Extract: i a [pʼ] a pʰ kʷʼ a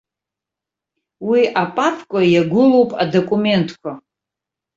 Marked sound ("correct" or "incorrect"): correct